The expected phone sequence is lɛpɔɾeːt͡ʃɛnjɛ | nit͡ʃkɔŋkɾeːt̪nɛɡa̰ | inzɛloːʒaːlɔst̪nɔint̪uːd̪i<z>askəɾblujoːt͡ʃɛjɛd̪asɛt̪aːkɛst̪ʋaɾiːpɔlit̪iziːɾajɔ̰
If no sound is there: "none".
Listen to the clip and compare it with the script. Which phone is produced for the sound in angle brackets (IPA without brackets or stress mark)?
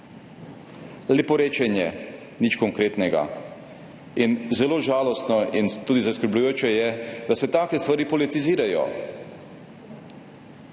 z